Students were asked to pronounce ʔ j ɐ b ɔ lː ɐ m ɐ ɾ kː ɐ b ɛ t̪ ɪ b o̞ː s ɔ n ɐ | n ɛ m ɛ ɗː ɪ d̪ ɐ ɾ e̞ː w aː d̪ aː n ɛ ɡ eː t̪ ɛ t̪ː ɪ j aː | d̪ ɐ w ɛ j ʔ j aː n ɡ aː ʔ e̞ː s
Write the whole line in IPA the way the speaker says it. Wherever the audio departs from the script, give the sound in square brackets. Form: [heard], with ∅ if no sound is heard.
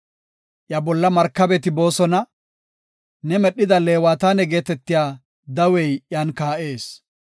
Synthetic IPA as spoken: ʔ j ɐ b ɔ lː ɐ m ɐ ɾ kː ɐ b ɛ t̪ ɪ b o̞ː s ɔ n ɐ | n ɛ m ɛ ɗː ɪ d̪ ɐ [l] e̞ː w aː [t̪] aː n ɛ ɡ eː t̪ ɛ t̪ː ɪ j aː | d̪ ɐ w ɛ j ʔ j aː n [k] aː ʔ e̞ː s